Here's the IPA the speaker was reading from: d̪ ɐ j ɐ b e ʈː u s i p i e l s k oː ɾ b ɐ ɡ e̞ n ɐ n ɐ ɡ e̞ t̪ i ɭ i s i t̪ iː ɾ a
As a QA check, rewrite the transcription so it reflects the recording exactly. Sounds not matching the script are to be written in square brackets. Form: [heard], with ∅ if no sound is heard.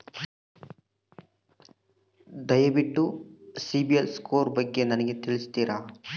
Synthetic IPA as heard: d̪ ɐ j ɐ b [i] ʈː u s i [b] i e l s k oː ɾ b ɐ [ɡː] e̞ n ɐ n ɐ ɡ e̞ t̪ i ɭ i s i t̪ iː ɾ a